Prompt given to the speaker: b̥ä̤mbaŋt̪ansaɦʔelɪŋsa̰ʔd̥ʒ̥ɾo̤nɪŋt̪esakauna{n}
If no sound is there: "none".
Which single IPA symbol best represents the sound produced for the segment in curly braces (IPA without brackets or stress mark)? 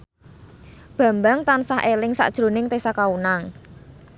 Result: ŋ